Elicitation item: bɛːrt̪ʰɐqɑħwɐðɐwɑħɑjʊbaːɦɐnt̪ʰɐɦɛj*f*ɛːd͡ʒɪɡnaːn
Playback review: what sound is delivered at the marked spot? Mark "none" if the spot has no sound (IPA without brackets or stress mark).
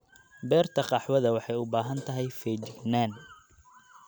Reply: f